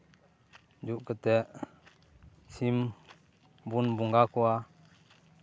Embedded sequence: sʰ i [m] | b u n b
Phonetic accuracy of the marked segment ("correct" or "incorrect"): correct